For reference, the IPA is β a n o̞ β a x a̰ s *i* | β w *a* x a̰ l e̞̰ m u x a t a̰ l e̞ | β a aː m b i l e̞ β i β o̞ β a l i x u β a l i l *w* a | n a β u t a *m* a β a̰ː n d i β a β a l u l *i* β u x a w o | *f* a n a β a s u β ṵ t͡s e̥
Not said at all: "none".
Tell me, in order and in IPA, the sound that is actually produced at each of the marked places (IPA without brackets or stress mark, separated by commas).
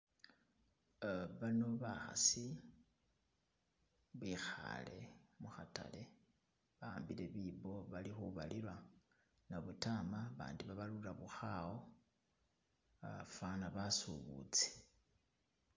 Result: i, i, w, m, a, f